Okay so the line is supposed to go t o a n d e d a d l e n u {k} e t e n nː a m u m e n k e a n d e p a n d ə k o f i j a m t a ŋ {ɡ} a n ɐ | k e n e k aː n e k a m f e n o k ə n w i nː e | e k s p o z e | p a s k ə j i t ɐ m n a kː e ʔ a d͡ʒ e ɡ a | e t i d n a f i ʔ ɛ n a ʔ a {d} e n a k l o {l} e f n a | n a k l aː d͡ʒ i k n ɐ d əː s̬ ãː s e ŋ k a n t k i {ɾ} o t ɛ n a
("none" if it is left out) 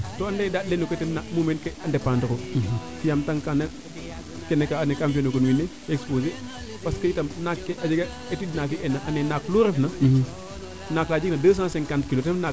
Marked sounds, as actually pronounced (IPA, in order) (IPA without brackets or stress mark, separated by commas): k, k, n, ɾ, l